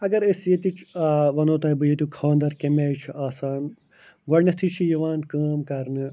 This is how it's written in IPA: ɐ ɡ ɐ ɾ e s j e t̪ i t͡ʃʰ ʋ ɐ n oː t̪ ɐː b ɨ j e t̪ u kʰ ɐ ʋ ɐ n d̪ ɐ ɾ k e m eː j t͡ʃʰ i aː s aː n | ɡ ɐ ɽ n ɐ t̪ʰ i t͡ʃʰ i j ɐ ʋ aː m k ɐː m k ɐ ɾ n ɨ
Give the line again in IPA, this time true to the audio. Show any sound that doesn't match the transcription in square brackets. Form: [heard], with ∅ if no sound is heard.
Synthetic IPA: ɐ ɡ ɐ ɾ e s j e t̪ i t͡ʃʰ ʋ ɐ n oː t̪ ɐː b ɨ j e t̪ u kʰ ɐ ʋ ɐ n d̪ ɐ ɾ k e m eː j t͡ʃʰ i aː s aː n | ɡ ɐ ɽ n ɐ t̪ʰ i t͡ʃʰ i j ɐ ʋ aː [n] k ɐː m k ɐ ɾ n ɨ

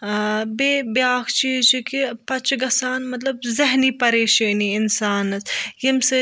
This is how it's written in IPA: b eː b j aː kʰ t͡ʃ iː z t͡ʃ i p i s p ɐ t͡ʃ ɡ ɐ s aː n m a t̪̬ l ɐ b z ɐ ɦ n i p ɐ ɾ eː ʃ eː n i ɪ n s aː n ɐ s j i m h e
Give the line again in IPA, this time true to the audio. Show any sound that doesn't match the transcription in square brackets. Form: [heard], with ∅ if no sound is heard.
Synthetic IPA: b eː b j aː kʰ t͡ʃ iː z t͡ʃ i [k] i [∅] p ɐ t͡ʃ ɡ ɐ s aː n m [ɐ] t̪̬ l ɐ b z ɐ ɦ n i p ɐ ɾ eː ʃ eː n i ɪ n s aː n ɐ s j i m [s] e

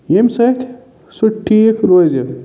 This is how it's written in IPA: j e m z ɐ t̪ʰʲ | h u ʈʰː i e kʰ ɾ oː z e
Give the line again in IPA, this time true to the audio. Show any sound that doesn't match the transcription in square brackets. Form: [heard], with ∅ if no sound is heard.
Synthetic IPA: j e m [s] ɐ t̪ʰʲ | [s] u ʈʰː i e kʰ ɾ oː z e

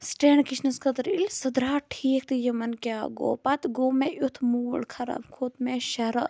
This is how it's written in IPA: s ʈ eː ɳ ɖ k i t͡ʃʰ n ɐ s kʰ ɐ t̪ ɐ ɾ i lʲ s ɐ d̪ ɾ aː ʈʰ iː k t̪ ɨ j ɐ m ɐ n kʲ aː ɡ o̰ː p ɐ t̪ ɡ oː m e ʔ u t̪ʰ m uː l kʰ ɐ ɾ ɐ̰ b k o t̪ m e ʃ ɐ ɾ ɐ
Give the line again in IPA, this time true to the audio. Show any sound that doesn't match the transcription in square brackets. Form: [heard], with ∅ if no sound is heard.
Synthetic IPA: s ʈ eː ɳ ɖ k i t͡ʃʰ n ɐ s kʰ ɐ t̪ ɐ ɾ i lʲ s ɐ d̪ ɾ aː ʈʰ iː k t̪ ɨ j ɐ m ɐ n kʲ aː ɡ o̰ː p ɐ t̪ ɡ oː m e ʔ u t̪ʰ m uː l kʰ ɐ ɾ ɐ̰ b [kʰ] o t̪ m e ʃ ɐ ɾ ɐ

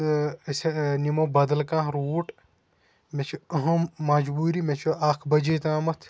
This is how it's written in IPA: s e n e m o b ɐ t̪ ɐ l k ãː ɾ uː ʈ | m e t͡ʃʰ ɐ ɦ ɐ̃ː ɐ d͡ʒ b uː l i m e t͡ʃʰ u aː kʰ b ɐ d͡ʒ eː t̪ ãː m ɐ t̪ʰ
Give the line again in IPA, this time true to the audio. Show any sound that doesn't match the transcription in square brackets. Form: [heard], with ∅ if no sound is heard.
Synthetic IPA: s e n [i] m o b ɐ [d̪] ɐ l k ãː ɾ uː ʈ | m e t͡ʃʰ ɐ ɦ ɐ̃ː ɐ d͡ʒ b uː [ɾ] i m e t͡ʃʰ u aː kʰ b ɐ d͡ʒ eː t̪ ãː m ɐ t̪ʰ

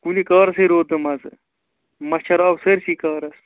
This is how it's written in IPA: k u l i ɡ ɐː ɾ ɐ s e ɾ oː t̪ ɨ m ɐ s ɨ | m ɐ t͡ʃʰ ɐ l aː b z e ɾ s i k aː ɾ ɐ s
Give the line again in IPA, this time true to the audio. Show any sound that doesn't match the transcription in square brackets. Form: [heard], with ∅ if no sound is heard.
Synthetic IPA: k u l i [k] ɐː ɾ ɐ s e ɾ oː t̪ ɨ m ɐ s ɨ | m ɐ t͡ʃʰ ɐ [ɾ] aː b [s] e ɾ s i k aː ɾ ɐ s

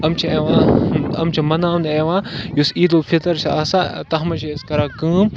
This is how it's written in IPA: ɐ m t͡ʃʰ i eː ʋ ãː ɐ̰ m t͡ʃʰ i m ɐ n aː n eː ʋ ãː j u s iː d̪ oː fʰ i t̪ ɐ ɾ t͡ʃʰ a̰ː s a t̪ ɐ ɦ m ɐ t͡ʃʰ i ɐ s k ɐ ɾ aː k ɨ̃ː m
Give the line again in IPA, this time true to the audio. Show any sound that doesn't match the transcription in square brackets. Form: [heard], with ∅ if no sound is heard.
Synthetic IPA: ɐ m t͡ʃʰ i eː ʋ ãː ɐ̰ m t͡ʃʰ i m ɐ n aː n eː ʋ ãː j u s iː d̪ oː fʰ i t̪ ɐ ɾ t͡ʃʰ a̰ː s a t̪ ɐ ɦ m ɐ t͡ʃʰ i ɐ s k ɐ ɾ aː k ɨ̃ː m

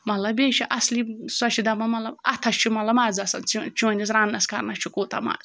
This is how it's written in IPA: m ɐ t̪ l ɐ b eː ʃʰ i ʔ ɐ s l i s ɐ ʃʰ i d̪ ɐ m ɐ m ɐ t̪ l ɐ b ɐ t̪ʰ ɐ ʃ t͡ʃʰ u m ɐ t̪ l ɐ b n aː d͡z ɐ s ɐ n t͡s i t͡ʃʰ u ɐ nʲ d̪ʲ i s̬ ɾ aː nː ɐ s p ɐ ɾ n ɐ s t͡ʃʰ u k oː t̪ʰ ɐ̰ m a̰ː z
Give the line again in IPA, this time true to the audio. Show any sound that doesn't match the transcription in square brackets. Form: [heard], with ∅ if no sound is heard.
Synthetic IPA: m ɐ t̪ l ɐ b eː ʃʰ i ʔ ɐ s l i s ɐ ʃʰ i d̪ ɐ m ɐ m ɐ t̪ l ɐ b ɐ t̪ʰ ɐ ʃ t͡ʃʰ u m ɐ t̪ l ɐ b [m] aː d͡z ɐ s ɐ n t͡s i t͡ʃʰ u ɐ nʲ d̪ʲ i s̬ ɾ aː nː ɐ s [k] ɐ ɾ n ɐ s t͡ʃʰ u k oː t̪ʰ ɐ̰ m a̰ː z

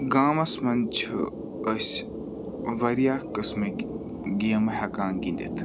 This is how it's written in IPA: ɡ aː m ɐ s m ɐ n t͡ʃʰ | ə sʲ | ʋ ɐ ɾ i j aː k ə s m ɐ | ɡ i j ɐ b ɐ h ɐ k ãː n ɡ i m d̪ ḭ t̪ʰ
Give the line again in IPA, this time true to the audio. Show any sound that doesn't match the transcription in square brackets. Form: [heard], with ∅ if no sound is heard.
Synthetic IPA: ɡ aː m ɐ s m ɐ n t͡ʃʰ | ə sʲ | ʋ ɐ ɾ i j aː k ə s m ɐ | ɡ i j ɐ [m] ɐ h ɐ k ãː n ɡ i [n] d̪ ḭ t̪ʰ

